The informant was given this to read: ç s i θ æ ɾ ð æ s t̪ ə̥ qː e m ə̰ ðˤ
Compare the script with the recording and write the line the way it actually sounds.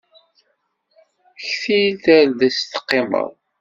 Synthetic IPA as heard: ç θ i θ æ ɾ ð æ s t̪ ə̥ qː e m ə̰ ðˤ

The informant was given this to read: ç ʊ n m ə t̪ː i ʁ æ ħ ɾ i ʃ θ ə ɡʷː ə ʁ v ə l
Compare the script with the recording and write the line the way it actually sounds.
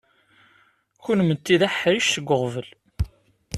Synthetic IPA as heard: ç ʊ n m ə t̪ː i ð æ ħ ɾ i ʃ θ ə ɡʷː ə ʁ v ə l

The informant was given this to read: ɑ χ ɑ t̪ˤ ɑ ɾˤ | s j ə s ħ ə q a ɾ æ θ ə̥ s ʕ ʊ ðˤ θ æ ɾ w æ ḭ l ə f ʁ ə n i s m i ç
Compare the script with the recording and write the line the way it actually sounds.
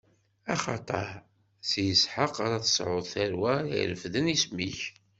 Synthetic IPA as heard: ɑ χ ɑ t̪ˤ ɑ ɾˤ | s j ə s ħ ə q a ɾ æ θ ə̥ s ʕ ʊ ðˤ θ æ ɾ w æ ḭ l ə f ð ə n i s m i ç

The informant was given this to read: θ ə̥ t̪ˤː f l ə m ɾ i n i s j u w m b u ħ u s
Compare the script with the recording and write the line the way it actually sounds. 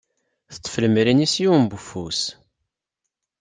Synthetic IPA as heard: θ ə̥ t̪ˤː f l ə m ɾ i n i s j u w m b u f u s

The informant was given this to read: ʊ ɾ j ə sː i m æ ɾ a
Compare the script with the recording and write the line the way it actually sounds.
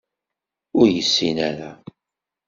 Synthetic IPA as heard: ʊ ɾ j ə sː i n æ ɾ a

